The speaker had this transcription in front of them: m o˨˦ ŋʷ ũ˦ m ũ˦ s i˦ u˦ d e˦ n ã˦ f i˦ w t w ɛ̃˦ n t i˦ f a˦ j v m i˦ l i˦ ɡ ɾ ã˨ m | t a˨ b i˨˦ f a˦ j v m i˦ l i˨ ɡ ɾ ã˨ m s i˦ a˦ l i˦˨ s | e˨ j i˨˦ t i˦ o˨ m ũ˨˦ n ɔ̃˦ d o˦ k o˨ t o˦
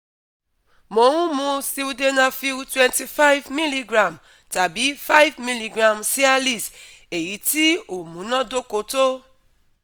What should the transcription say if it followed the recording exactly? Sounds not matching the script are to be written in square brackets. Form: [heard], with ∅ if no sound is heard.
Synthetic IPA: m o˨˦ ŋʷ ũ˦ m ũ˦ s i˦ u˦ d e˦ n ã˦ f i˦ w t w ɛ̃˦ n t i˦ f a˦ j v m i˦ l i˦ ɡ ɾ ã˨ m | t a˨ b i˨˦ f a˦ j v m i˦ l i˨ ɡ ɾ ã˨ m s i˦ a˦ l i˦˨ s | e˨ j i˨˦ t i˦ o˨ m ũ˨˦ n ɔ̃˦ d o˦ k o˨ t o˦

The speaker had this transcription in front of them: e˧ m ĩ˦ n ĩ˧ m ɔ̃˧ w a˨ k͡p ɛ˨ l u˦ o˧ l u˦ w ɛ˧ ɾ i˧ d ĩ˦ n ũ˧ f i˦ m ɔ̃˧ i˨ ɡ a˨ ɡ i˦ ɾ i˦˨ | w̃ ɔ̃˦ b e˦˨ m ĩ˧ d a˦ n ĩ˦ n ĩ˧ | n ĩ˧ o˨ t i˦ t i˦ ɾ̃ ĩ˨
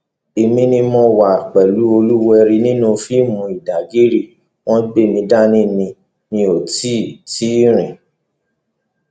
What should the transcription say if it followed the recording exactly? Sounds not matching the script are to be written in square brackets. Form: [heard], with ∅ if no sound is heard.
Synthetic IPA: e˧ m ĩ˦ n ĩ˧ m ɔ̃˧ w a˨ k͡p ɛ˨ l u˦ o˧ l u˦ w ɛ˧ ɾ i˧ [n] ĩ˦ n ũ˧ f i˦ m [ũ˧] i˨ [d] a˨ ɡ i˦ ɾ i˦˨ | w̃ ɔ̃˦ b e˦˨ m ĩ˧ d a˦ n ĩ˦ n ĩ˧ | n ĩ˧ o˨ t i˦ t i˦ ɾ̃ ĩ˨

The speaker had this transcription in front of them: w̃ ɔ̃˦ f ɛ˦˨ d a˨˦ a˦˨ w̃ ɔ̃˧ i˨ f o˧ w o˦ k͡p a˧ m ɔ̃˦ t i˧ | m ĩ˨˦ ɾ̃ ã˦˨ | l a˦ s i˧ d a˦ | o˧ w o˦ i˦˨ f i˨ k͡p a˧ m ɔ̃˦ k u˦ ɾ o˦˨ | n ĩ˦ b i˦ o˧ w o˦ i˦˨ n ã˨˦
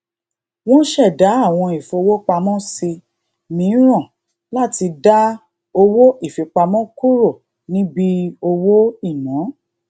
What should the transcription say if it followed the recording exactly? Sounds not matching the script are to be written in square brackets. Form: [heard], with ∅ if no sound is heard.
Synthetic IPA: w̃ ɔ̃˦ [ʃ] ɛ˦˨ d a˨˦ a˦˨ w̃ ɔ̃˧ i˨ f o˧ w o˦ k͡p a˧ m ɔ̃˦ [s] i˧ | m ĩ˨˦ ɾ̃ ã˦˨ | l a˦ [t] i˧ d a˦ | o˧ w o˦ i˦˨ f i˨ k͡p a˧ m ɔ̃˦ k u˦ ɾ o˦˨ | n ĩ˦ b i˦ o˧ w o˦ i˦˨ n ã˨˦

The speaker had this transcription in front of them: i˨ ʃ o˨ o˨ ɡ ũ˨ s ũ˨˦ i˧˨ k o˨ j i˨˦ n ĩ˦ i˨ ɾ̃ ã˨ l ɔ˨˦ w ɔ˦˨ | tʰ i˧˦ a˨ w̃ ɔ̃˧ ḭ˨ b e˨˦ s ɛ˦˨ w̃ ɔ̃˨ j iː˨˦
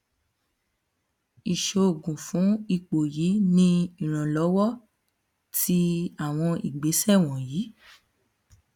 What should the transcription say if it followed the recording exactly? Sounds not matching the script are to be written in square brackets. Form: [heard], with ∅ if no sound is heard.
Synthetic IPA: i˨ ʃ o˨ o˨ ɡ ũ˨ [f] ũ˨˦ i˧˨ [k͡p] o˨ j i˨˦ n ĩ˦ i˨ ɾ̃ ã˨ l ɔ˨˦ w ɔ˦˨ | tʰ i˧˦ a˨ w̃ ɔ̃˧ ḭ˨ [ɡ͡b] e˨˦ s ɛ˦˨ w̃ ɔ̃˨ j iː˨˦

